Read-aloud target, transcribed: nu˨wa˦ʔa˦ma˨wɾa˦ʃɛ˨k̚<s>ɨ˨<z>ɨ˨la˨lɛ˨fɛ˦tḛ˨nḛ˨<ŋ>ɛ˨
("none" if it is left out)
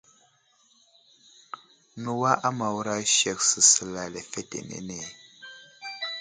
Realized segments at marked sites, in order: s, s, n

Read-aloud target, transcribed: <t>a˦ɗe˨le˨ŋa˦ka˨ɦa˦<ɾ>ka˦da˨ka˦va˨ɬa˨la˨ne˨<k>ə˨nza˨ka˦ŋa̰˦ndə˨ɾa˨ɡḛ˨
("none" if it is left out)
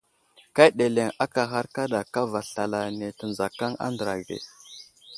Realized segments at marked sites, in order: k, ɾ, t

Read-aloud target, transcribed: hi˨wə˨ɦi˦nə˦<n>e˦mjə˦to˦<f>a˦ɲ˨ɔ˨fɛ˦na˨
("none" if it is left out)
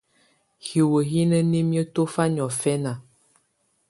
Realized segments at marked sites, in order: n, f

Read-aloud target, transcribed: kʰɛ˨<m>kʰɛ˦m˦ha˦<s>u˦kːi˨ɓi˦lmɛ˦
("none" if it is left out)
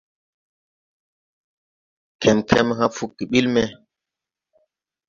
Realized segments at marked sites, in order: m, f

